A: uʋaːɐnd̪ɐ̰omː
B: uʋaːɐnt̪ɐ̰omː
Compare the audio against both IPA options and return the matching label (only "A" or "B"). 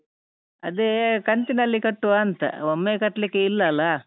B